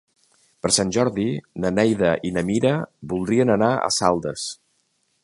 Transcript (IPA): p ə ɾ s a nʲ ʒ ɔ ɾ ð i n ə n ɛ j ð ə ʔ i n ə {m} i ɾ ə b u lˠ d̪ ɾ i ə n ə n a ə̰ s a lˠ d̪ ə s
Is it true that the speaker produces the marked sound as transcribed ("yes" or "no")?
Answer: yes